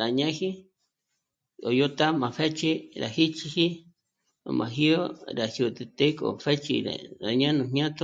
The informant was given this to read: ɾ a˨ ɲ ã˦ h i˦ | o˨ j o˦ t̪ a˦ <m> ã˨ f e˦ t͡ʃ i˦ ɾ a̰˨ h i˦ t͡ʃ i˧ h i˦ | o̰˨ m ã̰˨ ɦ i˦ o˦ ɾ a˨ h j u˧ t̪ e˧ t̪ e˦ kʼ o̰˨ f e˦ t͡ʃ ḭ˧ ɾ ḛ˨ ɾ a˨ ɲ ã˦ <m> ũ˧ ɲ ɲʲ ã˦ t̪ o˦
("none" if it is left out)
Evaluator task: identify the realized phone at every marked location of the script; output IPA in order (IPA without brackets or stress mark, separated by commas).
m, n